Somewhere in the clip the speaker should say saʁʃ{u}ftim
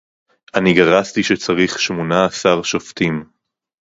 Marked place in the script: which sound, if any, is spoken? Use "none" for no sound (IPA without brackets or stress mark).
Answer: o